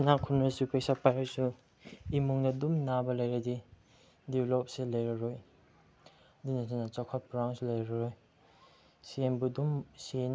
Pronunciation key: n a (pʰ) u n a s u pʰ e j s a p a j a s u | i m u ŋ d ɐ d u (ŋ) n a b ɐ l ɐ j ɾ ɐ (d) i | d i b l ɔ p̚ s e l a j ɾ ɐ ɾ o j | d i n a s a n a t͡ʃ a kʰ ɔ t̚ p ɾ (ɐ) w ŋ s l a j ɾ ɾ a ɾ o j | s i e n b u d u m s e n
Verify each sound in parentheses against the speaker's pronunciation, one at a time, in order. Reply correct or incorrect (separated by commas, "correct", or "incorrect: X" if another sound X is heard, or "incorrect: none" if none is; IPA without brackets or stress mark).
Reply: incorrect: kʰ, incorrect: m, correct, incorrect: a